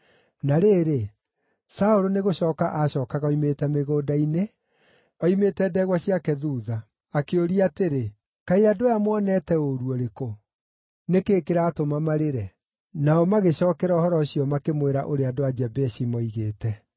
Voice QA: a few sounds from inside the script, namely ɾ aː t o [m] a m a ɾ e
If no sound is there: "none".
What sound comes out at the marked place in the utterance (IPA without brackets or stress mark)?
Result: m